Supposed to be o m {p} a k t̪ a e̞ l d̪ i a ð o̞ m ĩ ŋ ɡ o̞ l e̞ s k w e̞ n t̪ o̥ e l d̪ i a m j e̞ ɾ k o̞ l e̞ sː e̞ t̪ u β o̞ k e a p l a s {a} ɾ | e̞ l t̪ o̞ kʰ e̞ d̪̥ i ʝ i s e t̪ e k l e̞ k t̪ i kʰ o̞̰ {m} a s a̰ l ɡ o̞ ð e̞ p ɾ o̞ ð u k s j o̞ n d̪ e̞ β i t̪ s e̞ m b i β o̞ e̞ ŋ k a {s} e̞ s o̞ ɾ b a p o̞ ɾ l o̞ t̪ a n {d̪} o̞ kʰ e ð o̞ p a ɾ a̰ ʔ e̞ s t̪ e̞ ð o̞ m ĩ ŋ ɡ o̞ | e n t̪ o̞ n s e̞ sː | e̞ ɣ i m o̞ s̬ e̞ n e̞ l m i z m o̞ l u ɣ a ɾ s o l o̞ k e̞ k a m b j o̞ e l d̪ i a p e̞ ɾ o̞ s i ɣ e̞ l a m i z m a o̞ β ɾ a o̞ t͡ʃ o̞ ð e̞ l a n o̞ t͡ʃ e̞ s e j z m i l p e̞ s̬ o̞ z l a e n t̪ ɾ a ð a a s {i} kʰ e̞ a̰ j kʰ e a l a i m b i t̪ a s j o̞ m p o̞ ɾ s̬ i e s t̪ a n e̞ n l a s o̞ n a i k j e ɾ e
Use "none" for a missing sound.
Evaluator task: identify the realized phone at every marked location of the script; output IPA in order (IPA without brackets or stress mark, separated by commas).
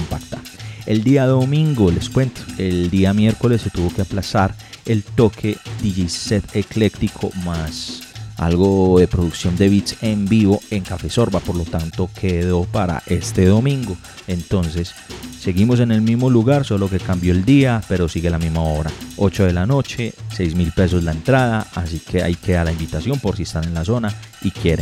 p, a, m, f, t̪, i